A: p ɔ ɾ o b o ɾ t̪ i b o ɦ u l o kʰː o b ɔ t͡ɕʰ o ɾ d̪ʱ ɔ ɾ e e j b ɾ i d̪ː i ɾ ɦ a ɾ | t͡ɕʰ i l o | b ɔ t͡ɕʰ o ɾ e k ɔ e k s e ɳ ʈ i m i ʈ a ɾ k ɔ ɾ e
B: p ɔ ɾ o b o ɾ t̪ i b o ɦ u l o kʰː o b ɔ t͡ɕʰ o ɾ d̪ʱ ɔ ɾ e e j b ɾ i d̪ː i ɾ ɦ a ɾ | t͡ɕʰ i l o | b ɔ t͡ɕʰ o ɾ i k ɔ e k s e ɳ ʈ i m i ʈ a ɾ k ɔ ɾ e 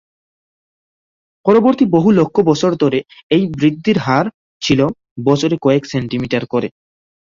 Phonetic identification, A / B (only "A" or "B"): A